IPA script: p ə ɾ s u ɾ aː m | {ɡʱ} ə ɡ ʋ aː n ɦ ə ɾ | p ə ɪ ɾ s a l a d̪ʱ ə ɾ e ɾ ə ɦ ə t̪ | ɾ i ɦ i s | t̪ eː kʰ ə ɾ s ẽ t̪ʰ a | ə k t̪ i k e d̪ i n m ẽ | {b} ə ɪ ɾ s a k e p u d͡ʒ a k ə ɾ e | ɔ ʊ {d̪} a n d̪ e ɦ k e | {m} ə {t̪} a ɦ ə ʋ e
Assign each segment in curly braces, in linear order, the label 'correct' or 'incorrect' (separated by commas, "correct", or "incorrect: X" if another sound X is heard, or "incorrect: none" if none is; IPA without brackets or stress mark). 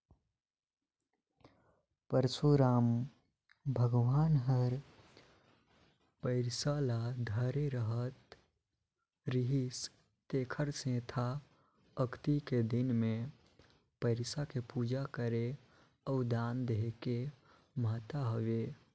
incorrect: bʱ, incorrect: p, correct, correct, correct